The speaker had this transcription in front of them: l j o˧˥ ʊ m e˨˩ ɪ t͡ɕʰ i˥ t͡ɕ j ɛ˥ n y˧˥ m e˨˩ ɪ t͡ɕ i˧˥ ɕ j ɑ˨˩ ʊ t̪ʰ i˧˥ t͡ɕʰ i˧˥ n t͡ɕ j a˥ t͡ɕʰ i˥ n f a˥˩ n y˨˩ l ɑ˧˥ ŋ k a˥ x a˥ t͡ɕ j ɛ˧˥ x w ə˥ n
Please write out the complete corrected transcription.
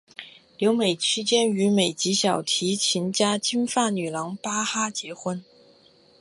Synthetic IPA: l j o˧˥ ʊ m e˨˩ ɪ t͡ɕʰ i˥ t͡ɕ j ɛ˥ n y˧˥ m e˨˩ ɪ t͡ɕ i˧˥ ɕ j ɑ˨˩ ʊ t̪ʰ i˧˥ t͡ɕʰ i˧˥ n t͡ɕ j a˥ t͡ɕ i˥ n f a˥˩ n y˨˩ l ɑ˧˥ ŋ p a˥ x a˥ t͡ɕ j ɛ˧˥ x w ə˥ n